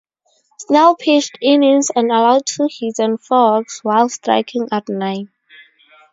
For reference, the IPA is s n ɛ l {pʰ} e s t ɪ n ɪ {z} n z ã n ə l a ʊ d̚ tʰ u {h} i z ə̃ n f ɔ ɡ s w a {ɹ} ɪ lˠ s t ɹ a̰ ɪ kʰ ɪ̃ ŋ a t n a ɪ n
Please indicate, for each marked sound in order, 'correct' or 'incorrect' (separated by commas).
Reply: correct, incorrect, correct, incorrect